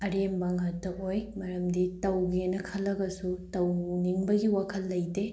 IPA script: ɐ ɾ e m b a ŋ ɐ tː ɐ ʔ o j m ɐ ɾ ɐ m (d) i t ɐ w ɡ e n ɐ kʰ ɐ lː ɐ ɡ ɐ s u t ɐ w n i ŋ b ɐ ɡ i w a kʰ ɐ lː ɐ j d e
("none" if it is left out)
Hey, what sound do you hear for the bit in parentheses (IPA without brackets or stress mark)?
d